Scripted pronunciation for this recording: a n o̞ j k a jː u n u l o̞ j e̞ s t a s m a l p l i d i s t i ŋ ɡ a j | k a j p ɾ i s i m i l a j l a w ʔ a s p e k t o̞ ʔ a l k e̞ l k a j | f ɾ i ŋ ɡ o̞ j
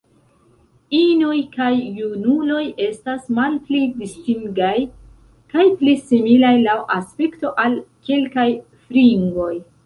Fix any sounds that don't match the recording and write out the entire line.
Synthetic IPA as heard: i n o̞ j k a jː u n u l o̞ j e̞ s t a s m a l p l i d i s t i ŋ ɡ a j | k a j p l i s i m i l a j l a w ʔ a s p e k t o̞ ʔ a l k e̞ l k a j | f ɾ i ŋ ɡ o̞ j